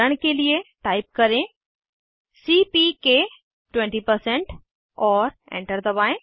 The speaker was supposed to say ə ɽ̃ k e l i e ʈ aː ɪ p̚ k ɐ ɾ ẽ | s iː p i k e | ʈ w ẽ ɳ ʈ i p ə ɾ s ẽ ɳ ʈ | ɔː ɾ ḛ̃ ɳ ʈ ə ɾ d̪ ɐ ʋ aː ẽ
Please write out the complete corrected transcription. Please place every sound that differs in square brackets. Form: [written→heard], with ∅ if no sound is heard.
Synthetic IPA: ə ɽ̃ k e l i e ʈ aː ɪ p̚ k ɐ ɾ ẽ | s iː p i k e | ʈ w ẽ ɳ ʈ i p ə ɾ s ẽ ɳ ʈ | ɔː ɾ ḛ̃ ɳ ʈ ə ɾ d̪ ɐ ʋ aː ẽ